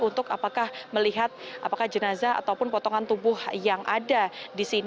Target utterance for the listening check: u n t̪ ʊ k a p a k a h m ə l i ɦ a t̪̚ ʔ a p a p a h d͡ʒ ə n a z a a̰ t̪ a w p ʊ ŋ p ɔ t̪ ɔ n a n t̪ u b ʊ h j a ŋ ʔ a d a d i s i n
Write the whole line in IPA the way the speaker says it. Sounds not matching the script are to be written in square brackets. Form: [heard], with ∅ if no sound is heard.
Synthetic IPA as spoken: u n t̪ ʊ k a p a k a h m ə l i ɦ a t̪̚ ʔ a p a [k] a h d͡ʒ ə n a z a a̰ t̪ a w p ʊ [n] p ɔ t̪ ɔ [ŋ] a n t̪ u b ʊ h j a ŋ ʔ a d a d i s i n

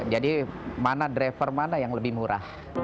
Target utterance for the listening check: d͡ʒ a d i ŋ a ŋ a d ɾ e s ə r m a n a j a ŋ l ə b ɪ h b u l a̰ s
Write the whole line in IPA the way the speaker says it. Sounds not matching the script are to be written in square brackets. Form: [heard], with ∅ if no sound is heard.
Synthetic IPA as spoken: d͡ʒ a d i [m] a [n] a d ɾ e [f] ə r m a n a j a ŋ l ə b ɪ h [m] u [ɾ] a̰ [h]

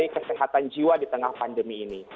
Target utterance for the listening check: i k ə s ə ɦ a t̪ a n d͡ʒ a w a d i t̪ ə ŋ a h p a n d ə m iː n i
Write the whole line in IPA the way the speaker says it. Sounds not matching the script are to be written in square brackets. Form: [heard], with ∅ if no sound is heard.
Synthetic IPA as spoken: i k ə s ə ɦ a t̪ a n d͡ʒ [i] w a d i t̪ ə ŋ a h p a n d ə m iː n i

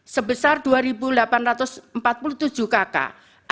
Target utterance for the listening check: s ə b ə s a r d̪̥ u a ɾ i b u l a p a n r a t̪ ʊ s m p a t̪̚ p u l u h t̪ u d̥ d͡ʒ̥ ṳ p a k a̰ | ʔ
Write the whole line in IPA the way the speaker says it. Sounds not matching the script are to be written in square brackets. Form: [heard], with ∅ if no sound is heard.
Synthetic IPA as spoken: s ə b ə s a r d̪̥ u a ɾ i b u l a p a n r a t̪ ʊ s m p a t̪̚ p u l u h t̪ u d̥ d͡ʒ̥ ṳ [k] a k a̰ | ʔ

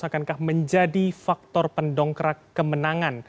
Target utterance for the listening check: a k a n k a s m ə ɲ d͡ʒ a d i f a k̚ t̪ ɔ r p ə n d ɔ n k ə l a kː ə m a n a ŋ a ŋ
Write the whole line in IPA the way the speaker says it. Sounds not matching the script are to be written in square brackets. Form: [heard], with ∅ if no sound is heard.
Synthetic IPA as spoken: a k a n k a [h] m ə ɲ d͡ʒ a d i f a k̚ t̪ ɔ r p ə n d ɔ [ŋ] k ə [ɾ] a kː ə m [ə] n a ŋ a [n]

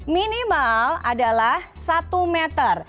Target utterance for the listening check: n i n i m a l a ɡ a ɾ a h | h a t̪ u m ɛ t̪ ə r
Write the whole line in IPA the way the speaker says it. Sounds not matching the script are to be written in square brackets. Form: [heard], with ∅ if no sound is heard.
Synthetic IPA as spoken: [m] i n i m a l a [d] a [l] a h | [s] a t̪ u m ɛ t̪ ə r

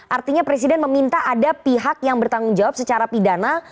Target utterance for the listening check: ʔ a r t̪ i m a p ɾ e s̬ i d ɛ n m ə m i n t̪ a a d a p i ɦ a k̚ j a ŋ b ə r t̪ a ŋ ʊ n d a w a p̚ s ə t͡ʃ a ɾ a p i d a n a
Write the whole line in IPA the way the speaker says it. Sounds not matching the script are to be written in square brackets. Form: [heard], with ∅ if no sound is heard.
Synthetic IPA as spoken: ʔ a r t̪ i [ɲ] a p ɾ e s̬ i d ɛ n m ə m i n t̪ a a d a p i ɦ a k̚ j a ŋ b ə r t̪ a ŋ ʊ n [d͡ʒ] a w a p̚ s ə t͡ʃ a ɾ a p i d a n a

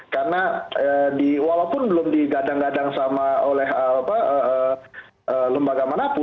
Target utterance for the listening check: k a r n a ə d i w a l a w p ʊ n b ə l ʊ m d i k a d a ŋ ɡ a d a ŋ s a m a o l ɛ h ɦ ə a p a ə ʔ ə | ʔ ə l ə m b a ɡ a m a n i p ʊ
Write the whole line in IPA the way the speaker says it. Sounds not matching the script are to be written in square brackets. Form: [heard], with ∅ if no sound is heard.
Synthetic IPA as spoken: k a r n a ə d i w a l a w p ʊ n b ə l ʊ m d i [ɡ] a d a ŋ ɡ a d a ŋ s a m a o l ɛ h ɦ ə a p a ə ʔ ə | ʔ ə l ə m b a ɡ a m a n [a] p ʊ

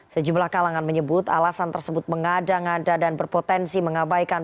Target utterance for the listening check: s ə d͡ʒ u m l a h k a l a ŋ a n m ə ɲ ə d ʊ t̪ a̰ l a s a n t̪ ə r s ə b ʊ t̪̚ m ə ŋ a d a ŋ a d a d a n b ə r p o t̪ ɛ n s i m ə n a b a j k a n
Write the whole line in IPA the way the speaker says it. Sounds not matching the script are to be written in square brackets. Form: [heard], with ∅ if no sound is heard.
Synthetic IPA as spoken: s ə d͡ʒ u m l a h k a l a ŋ a n m ə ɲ ə [b] ʊ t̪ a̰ l a s a n t̪ ə r s ə b ʊ t̪̚ m ə ŋ a d a ŋ a d a d a n b ə r p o t̪ ɛ n s i m ə [ŋ] a b a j k a n

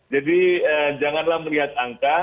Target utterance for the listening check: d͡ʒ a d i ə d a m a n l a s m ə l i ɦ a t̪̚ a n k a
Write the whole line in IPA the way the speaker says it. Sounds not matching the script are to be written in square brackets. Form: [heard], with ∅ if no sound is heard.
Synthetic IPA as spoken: d͡ʒ a d i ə [d͡ʒ] a [ŋ] a n l a [h] m ə l i ɦ a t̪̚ a [ŋ] k a

